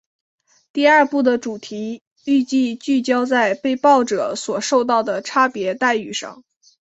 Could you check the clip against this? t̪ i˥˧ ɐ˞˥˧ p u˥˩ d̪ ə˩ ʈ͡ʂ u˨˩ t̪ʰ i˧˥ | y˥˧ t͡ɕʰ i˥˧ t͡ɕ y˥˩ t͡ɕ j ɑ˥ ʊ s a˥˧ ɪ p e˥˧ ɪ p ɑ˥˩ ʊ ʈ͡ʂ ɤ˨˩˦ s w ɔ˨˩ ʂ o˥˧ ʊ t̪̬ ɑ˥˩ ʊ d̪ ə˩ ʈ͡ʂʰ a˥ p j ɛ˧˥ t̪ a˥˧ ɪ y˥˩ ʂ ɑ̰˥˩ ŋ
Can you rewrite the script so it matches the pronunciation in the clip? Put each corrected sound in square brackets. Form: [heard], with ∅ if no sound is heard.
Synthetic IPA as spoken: t̪ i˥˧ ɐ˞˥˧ p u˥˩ d̪ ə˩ ʈ͡ʂ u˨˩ t̪ʰ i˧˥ | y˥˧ [t͡ɕ] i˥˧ t͡ɕ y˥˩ t͡ɕ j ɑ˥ ʊ [t͡s] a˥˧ ɪ p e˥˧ ɪ p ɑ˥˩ ʊ ʈ͡ʂ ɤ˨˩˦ s w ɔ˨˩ ʂ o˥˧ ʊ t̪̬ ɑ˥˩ ʊ d̪ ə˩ ʈ͡ʂʰ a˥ p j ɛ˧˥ t̪ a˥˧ ɪ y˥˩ ʂ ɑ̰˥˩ ŋ